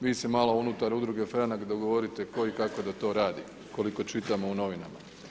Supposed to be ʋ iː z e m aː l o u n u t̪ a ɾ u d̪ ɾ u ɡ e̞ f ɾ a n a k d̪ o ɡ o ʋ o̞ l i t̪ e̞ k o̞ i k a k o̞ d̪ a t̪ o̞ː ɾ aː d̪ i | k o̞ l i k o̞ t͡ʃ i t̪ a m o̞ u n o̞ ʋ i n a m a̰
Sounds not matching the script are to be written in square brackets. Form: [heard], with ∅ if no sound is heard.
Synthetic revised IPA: ʋ iː [s] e m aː l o u n u t̪ a ɾ u d̪ ɾ u ɡ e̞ f ɾ a n a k d̪ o ɡ o ʋ o̞ [ɾ] i t̪ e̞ k o̞ i k a k o̞ d̪ a t̪ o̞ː ɾ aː d̪ i | k o̞ l i k o̞ t͡ʃ i t̪ a m o̞ u n o̞ ʋ i n a m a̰

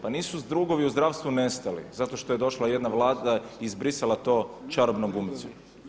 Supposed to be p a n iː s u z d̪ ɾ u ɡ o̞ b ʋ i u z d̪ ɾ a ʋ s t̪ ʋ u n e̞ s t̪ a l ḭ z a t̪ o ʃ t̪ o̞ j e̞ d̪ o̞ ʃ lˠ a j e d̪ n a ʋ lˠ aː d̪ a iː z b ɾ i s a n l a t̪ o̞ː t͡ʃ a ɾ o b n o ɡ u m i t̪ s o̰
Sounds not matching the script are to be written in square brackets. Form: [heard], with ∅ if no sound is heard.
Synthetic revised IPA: p a n iː s u z d̪ ɾ u ɡ o̞ [∅] ʋ i u z d̪ ɾ a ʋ s t̪ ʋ u n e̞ s t̪ a l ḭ z a t̪ o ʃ t̪ o̞ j e̞ d̪ o̞ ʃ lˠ a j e d̪ n a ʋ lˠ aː d̪ a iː z b ɾ i s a [∅] l a t̪ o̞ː t͡ʃ a ɾ o b n o ɡ u m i t̪ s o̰

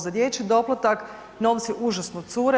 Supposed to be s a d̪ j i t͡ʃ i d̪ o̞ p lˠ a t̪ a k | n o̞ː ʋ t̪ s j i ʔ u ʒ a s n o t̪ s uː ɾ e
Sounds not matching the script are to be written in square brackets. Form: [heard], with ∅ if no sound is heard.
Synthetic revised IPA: [z] a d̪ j [e] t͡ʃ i d̪ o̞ p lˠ a t̪ a k | n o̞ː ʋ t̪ s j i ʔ u ʒ a s n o t̪ s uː ɾ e

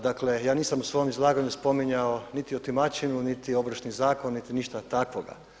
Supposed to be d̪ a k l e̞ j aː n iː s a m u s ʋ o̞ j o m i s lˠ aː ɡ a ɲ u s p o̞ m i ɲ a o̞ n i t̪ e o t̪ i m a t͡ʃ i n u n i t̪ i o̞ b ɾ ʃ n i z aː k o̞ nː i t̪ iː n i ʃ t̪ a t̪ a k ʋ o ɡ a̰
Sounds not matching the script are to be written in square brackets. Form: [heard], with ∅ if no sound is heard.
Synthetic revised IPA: d̪ a k l e̞ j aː n iː s a m u s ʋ o̞ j o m i [z] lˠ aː ɡ a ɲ u s p o̞ m i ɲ a o̞ n i t̪ [i] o t̪ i m a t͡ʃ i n u n i t̪ i o̞ b ɾ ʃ n i z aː k o̞ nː i t̪ [i] n i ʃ t̪ a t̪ a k ʋ o ɡ a̰

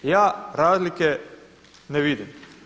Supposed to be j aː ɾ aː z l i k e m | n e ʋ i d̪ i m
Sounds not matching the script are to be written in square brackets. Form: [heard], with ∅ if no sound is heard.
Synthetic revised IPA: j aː ɾ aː z l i k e [∅] | n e ʋ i d̪ i m

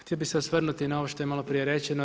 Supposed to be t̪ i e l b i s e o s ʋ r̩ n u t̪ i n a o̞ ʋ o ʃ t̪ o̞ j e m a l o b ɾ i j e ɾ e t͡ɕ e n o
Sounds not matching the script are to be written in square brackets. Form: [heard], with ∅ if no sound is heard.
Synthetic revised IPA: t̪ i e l b i s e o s ʋ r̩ n u t̪ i n a o̞ ʋ o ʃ t̪ o̞ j e m a l o [p] ɾ i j e ɾ e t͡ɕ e n o

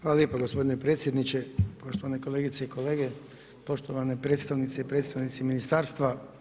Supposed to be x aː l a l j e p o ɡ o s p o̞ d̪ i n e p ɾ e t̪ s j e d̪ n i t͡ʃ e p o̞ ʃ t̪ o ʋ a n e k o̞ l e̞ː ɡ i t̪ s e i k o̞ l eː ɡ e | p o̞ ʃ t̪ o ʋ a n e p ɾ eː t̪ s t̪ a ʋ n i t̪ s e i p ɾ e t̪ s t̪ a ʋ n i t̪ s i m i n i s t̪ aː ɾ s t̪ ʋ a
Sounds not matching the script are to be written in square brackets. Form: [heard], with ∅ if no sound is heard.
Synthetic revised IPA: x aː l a l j e p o ɡ o s p o̞ d̪ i n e p ɾ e t̪ s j e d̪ n i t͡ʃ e p o̞ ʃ t̪ o ʋ a n e k o̞ l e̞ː ɡ i t̪ s e i k o̞ l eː ɡ e | p o̞ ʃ t̪ o ʋ a n e p ɾ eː t̪ s t̪ a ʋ n i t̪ s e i p ɾ e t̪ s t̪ a ʋ n i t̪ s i m i n i s t̪ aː ɾ s t̪ ʋ a

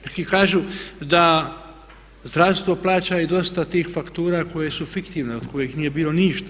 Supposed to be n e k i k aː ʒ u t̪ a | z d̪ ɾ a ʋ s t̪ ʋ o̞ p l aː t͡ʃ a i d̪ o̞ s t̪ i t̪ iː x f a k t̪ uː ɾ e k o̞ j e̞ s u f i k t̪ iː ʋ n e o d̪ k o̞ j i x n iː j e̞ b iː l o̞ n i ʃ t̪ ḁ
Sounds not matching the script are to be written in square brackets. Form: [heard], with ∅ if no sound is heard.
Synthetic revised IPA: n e k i k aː ʒ u [d̪] a | z d̪ ɾ a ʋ s t̪ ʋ o̞ p l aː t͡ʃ a i d̪ o̞ s t̪ [a] t̪ iː x f a k t̪ uː ɾ [a] k o̞ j e̞ s u f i k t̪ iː ʋ n e o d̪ k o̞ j i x n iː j e̞ b iː l o̞ n i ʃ t̪ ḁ

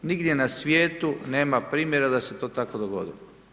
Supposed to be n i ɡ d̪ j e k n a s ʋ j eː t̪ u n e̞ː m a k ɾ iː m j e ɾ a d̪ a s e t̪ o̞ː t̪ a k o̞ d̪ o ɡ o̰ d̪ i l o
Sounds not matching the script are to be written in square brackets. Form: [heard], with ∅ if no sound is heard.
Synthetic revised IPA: n i ɡ d̪ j e [∅] n a s ʋ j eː t̪ u n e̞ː m a [p] ɾ iː m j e ɾ a d̪ a s e t̪ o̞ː t̪ a k o̞ d̪ o ɡ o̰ d̪ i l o

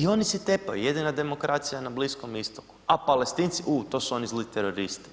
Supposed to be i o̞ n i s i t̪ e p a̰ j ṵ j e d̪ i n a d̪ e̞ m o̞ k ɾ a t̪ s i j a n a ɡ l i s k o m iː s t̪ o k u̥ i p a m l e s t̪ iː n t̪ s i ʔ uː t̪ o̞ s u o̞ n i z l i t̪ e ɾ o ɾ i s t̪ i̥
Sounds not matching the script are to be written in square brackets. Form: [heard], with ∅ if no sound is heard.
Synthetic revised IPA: i o̞ n i s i t̪ e p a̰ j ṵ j e d̪ i n a d̪ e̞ m o̞ k ɾ a t̪ s i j a n a [b] l i s k o m [i] s t̪ o k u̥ [a] p a [∅] l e s t̪ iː n t̪ s i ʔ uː t̪ o̞ s u o̞ n i z l i t̪ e ɾ o ɾ i s t̪ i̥

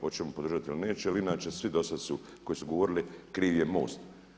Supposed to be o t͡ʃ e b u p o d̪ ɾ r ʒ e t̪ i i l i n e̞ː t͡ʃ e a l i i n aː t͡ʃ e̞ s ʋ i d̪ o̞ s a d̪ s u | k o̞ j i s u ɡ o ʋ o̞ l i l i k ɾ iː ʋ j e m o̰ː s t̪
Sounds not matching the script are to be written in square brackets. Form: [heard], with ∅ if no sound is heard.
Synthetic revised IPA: o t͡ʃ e [m] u p o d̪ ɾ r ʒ [a] t̪ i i l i n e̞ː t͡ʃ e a l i i n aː t͡ʃ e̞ s ʋ i d̪ o̞ s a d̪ s u | k o̞ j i s u ɡ o ʋ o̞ [ɾ] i l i k ɾ iː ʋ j e m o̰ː s t̪

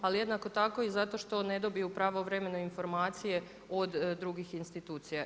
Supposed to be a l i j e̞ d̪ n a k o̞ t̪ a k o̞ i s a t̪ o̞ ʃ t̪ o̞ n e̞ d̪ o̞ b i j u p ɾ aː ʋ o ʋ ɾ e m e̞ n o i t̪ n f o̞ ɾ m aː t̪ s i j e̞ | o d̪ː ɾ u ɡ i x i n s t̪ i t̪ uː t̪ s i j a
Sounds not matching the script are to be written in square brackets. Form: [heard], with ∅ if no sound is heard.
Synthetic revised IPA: a l i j e̞ d̪ n a k o̞ t̪ a k o̞ i [z] a t̪ o̞ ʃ t̪ o̞ n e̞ d̪ o̞ b i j u p ɾ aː ʋ o ʋ ɾ e m e̞ n o i [∅] n f o̞ ɾ m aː t̪ s i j e̞ | o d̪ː ɾ u ɡ i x i n s t̪ i t̪ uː t̪ s i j a

